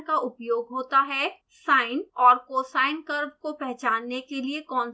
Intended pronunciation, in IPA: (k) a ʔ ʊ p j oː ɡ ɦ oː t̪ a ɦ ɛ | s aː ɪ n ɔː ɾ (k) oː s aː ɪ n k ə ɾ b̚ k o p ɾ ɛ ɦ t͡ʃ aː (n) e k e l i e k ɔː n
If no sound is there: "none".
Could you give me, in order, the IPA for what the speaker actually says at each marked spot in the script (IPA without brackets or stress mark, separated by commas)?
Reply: k, k, nː